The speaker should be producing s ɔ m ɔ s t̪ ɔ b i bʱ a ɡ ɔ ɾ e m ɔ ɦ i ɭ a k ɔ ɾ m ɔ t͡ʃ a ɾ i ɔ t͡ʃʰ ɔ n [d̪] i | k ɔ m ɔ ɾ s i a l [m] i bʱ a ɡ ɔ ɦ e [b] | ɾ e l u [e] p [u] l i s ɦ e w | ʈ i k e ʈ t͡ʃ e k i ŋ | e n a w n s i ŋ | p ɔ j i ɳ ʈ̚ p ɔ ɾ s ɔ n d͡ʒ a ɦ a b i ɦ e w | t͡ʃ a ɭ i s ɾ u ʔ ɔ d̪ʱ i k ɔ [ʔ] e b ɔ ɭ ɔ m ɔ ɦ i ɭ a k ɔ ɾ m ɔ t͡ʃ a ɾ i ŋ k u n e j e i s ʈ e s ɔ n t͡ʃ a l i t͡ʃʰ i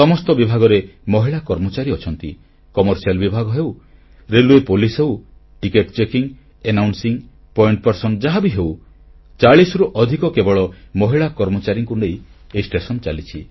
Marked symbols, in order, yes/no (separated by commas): no, no, no, yes, no, no